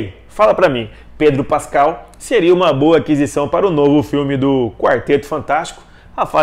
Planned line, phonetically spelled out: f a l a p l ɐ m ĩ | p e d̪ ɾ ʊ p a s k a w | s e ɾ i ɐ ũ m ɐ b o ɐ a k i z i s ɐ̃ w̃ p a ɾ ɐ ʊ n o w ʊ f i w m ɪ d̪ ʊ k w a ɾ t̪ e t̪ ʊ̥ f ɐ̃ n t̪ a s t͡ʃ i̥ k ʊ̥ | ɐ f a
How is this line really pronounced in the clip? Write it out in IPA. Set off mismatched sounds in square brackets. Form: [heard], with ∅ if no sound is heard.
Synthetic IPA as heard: f a l [ɐ] p [ɾ] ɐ m ĩ | p e d̪ ɾ ʊ p a s k a w | s e ɾ i ɐ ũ m ɐ b o ɐ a k i z i s ɐ̃ w̃ p a ɾ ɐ ʊ n o [v] ʊ f i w m ɪ d̪ ʊ k w a ɾ t̪ e t̪ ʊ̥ f ɐ̃ n t̪ a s t͡ʃ i̥ k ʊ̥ | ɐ f a